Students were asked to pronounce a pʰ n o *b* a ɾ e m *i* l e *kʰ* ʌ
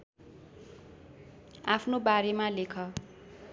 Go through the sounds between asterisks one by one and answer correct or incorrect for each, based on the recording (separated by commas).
correct, incorrect, correct